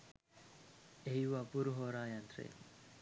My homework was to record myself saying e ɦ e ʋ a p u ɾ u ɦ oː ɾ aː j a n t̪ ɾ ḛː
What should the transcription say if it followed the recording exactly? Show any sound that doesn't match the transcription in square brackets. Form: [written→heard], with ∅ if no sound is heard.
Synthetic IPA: e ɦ [e→i] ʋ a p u ɾ u ɦ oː ɾ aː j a n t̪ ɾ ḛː